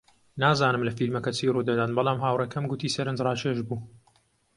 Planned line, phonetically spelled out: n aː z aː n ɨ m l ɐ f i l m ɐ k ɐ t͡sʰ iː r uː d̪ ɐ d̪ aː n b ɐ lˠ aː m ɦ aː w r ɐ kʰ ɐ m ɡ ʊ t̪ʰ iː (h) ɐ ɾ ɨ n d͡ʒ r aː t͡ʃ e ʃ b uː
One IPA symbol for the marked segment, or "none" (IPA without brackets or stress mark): s